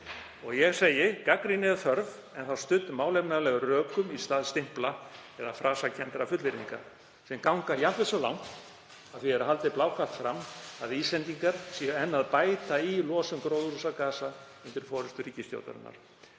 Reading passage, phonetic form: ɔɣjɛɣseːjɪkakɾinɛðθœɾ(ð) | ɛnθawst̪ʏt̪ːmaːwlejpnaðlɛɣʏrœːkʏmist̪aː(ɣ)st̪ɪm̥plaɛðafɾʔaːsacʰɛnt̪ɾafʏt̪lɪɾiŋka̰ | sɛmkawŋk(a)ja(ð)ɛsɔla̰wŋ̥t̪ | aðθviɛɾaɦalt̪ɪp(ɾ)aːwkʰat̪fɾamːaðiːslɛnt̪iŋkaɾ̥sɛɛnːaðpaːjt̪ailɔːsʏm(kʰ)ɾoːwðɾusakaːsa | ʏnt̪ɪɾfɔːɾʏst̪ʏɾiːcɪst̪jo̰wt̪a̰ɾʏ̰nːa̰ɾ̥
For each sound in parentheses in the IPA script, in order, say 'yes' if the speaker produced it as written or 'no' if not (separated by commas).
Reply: no, no, yes, no, no, no